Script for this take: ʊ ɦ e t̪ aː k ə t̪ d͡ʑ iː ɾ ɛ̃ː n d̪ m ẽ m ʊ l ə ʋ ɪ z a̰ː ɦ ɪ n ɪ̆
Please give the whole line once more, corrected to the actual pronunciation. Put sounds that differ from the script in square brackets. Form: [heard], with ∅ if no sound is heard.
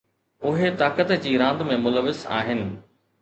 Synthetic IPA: ʊ ɦ e t̪ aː k ə t̪ d͡ʑ iː ɾ [ãː] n d̪ m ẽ m ʊ l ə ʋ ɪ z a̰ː ɦ ɪ n ɪ̆